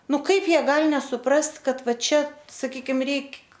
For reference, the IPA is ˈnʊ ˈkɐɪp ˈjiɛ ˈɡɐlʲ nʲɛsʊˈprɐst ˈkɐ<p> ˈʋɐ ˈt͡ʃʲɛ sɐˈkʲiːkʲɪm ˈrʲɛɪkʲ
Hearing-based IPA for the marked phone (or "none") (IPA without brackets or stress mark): t